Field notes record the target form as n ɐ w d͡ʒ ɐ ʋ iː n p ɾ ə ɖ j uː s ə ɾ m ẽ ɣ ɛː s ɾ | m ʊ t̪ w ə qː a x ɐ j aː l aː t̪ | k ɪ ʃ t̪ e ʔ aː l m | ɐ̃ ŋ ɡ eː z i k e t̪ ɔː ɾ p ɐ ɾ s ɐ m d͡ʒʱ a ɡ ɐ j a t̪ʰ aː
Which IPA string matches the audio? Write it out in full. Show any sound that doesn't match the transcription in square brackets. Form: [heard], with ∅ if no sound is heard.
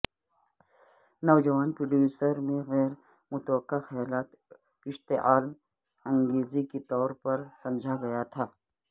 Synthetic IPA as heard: n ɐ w d͡ʒ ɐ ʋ [aː] n p ɾ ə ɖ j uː s ə ɾ m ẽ ɣ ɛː [∅] ɾ | m ʊ t̪ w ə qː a x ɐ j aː l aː t̪ | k ɪ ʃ t̪ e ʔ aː l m | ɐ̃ ŋ ɡ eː z i k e t̪ ɔː ɾ p ɐ ɾ s ɐ m d͡ʒʱ a ɡ ɐ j a t̪ʰ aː